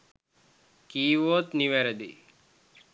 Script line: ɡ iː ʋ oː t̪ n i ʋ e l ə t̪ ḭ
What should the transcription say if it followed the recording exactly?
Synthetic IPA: k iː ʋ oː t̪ n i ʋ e ɾ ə d̪ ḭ